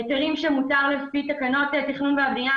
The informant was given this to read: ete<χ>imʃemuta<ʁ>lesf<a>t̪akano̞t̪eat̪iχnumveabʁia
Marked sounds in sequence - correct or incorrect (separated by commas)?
incorrect, correct, incorrect